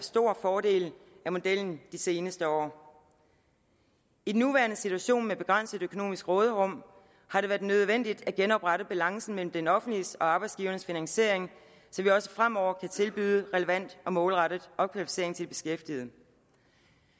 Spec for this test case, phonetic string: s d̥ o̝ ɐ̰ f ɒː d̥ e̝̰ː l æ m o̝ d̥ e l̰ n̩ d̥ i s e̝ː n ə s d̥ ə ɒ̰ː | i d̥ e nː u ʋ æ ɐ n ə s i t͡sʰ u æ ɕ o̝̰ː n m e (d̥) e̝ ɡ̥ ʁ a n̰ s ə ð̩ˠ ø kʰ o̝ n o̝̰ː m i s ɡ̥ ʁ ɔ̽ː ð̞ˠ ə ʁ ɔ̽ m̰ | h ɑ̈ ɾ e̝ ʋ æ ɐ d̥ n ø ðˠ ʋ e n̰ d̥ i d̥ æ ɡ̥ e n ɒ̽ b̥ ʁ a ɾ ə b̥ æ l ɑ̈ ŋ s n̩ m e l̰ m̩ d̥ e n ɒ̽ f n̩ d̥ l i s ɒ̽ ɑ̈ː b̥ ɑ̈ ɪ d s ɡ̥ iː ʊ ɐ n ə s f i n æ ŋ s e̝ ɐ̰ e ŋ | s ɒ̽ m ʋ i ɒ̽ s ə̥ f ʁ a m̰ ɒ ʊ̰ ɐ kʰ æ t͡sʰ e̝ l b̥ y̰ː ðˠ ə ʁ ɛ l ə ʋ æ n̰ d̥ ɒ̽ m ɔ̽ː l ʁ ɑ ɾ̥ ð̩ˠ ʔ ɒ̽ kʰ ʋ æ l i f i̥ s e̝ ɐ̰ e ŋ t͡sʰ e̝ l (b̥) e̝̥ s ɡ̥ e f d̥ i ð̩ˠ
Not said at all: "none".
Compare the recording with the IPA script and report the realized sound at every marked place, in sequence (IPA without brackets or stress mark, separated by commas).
b̥, b̥